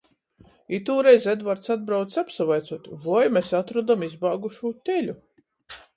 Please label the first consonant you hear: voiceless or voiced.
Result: voiceless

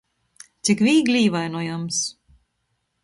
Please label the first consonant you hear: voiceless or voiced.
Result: voiceless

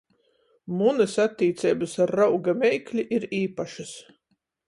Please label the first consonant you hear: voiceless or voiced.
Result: voiced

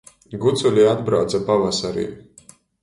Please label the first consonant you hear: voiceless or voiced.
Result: voiced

